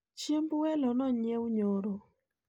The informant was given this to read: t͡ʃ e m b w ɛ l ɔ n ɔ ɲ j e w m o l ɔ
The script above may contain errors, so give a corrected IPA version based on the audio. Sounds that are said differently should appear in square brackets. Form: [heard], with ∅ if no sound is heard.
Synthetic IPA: t͡ʃ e m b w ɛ l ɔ n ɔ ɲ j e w [ɲ] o [ɾ] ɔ